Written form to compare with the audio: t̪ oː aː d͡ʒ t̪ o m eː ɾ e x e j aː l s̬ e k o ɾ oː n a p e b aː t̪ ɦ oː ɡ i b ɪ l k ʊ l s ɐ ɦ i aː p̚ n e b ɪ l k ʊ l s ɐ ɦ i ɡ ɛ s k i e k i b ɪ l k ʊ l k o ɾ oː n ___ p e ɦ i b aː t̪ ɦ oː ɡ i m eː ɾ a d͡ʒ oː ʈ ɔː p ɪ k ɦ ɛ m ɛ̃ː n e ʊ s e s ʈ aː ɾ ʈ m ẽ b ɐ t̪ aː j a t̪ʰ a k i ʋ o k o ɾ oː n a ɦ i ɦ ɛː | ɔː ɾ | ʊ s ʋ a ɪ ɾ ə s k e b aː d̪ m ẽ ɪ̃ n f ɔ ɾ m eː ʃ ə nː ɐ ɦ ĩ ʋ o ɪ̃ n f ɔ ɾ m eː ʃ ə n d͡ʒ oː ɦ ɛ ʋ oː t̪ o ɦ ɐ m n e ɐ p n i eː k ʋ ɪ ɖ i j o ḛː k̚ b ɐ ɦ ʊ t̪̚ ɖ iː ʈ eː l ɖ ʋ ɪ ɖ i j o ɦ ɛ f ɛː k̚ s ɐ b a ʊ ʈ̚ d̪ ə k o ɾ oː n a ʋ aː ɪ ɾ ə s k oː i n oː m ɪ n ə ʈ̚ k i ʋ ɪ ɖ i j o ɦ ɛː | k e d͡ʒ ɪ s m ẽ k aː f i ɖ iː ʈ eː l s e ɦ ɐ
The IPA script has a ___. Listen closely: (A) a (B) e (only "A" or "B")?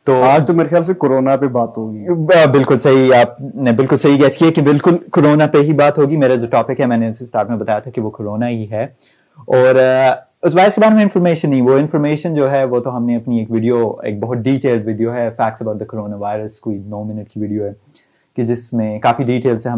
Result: A